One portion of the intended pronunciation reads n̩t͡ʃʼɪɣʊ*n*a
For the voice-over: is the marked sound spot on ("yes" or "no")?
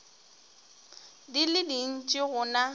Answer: yes